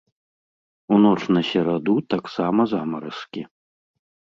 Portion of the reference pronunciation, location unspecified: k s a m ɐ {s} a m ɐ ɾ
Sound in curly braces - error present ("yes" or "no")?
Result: yes